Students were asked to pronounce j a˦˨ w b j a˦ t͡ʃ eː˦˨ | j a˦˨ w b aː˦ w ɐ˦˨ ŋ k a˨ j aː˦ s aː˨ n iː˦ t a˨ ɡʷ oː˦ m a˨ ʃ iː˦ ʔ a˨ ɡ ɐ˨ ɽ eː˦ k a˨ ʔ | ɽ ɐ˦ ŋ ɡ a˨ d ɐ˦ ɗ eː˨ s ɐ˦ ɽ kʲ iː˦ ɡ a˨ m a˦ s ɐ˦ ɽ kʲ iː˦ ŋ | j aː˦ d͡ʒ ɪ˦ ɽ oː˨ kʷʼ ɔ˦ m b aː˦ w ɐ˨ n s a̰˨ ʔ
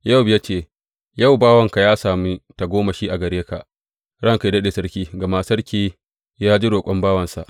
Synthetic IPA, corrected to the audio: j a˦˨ w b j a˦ t͡ʃ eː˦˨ | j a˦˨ w b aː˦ w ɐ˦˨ ŋ k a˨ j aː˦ s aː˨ m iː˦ t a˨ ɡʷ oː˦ m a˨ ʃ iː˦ ʔ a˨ ɡ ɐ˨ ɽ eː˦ k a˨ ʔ | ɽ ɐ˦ ŋ k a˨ d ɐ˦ ɗ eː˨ s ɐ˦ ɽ kʲ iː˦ ɡ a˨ m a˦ s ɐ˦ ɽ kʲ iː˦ | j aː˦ d͡ʒ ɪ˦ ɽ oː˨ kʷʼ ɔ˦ m b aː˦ w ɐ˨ n s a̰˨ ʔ